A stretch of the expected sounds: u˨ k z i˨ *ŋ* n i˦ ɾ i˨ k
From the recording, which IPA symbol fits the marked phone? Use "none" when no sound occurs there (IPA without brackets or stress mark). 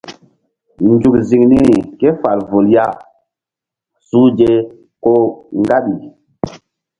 ŋ